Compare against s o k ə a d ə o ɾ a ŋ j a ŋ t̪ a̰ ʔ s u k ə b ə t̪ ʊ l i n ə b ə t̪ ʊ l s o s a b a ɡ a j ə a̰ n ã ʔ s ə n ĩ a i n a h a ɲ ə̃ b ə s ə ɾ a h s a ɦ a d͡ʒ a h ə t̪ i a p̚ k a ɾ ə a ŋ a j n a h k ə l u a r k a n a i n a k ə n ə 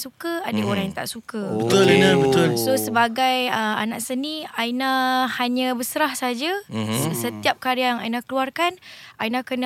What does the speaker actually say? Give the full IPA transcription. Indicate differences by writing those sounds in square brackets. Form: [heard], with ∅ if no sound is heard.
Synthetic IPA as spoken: s [u] k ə a d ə o ɾ a ŋ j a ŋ t̪ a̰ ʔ s u k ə b ə t̪ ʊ l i n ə b ə t̪ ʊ l s o s [ə] b a ɡ a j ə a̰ n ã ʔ s ə n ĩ a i n a h a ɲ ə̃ b ə s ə ɾ a h s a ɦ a d͡ʒ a [s] ə t̪ i a p̚ k a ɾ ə a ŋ a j n a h k ə l u a r k a n a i n a k ə n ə